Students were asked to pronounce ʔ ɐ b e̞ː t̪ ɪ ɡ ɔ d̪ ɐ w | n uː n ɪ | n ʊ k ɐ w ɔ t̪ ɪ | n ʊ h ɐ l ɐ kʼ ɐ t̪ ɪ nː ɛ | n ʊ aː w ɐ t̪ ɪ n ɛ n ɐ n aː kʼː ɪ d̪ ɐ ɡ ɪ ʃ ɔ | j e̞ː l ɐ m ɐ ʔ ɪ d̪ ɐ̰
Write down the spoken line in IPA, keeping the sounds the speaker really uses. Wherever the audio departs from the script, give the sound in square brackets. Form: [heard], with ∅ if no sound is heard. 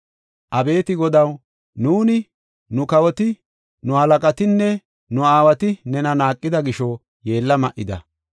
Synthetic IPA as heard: ʔ ɐ b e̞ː t̪ ɪ ɡ ɔ d̪ ɐ w | n uː n ɪ | n ʊ k ɐ w ɔ t̪ ɪ | n ʊ h ɐ l ɐ kʼ ɐ t̪ ɪ nː ɛ | n ʊ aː w ɐ t̪ ɪ n ɛ n ɐ n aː kʼː ɪ d̪ ɐ ɡ ɪ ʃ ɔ | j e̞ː [lː] ɐ m ɐ ʔ ɪ d̪ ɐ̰